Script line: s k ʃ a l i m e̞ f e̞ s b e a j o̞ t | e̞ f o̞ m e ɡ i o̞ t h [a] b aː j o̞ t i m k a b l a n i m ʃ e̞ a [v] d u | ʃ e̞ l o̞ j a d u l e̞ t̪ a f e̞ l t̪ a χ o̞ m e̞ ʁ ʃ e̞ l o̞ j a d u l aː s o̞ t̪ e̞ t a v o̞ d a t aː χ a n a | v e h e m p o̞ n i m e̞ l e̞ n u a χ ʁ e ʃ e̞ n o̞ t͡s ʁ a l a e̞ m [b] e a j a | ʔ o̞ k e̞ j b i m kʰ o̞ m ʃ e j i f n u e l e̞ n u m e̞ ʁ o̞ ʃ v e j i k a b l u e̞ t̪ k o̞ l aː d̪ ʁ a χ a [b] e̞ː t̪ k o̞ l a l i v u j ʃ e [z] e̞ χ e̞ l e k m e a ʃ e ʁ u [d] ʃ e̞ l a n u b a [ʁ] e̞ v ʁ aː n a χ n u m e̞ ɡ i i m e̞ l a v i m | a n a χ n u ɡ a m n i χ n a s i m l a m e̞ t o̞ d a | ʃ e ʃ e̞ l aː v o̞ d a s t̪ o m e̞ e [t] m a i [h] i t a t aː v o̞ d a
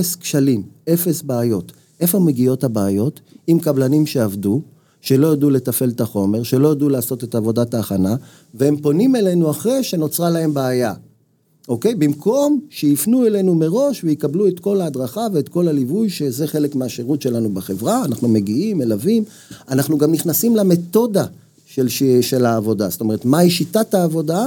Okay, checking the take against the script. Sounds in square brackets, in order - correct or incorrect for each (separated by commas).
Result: correct, correct, correct, incorrect, correct, incorrect, incorrect, correct, incorrect